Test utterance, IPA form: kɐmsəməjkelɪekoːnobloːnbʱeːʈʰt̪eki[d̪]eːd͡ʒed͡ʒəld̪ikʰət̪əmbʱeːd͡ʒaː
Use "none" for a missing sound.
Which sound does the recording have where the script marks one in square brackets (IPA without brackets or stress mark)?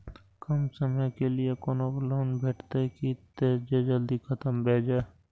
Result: t̪